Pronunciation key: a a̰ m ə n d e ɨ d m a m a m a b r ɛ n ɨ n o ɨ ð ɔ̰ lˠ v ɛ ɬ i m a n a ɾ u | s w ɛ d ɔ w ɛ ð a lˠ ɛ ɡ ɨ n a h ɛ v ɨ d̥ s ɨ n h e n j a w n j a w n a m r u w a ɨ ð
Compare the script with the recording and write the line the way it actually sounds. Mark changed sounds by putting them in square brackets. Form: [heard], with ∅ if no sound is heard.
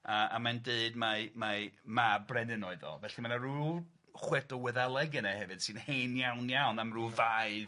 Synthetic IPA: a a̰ m [a] n d e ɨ d m a m a m a b r ɛ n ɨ n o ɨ ð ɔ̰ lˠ v ɛ ɬ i m a n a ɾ u | [χ] w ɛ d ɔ w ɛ ð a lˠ ɛ ɡ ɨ n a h ɛ v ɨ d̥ s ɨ n h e n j a w n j a w n a m r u [v] a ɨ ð